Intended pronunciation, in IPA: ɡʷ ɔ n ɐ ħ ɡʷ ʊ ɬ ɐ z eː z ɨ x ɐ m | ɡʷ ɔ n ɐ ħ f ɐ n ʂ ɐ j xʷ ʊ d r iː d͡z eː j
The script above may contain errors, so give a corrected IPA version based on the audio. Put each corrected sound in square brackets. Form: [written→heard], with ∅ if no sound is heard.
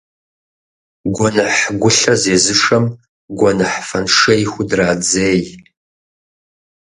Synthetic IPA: ɡʷ ɔ n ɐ ħ ɡʷ ʊ ɬ ɐ z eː z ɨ [x→ʂ] ɐ m | ɡʷ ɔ n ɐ ħ f ɐ n ʂ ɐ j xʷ ʊ d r [iː→aː] d͡z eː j